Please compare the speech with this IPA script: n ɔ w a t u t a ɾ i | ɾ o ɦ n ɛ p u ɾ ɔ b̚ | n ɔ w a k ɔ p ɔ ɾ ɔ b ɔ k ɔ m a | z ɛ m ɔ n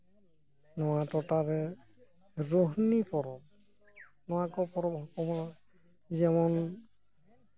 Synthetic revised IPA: n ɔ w a t ɔ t a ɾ ɛ | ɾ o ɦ n i p ɔ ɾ ɔ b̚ | n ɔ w a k ɔ p ɔ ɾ ɔ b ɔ k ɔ m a | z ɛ m ɔ n